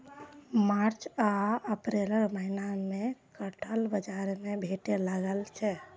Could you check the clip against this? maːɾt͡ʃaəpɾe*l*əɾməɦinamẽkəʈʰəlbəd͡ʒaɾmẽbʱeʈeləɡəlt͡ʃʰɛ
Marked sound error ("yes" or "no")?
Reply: no